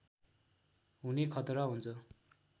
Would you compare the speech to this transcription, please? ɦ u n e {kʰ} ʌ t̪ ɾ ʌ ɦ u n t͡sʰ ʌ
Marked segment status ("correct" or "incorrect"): correct